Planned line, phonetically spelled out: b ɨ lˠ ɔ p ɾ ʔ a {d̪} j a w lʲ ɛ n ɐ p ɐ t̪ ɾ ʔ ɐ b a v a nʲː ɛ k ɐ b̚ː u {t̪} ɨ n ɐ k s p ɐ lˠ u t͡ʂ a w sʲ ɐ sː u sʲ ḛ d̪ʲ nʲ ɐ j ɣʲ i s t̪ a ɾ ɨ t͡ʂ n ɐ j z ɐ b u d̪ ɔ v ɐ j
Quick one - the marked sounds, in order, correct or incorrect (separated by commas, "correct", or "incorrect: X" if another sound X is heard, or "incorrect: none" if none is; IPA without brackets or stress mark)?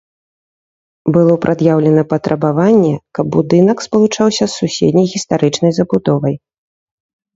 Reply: correct, incorrect: d̪